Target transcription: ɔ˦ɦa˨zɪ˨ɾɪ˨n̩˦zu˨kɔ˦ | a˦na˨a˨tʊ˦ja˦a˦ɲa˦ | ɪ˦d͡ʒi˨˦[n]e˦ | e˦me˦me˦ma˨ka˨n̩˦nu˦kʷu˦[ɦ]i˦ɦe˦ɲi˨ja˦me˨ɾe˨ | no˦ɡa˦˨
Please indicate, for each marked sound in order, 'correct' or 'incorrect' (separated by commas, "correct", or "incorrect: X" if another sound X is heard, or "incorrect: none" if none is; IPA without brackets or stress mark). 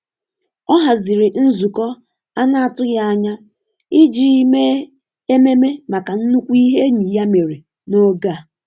incorrect: m, incorrect: none